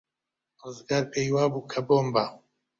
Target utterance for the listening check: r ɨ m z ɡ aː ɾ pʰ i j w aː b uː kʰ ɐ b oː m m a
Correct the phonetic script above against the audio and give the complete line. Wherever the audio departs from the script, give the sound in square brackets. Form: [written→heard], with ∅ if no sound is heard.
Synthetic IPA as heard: r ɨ [m→∅] z ɡ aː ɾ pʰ [i→e] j w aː b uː kʰ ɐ b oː m [m→b] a